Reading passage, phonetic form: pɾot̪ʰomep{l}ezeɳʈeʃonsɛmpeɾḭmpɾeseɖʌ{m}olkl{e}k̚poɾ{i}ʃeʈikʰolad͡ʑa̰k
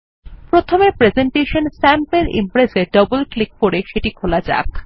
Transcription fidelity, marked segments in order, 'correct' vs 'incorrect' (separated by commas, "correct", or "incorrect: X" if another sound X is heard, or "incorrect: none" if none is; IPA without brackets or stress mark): incorrect: ɾ, incorrect: b, incorrect: i, incorrect: e